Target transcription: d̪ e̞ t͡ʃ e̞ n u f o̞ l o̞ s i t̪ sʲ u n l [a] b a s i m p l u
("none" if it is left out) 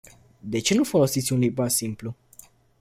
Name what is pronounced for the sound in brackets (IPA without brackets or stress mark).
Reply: i